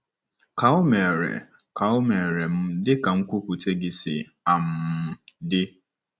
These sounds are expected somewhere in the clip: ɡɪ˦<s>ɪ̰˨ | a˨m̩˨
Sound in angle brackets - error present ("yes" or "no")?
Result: no